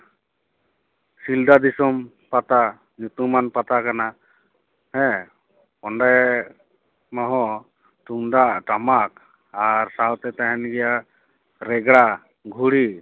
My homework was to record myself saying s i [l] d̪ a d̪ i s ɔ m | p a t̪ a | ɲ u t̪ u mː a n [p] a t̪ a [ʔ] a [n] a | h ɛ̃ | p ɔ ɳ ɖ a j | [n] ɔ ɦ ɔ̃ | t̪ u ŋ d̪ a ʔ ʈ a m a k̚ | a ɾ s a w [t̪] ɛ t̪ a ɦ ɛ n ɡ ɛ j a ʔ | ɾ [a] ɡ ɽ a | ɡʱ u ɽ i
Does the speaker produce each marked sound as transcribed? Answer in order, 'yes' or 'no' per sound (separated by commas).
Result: yes, yes, no, yes, no, yes, no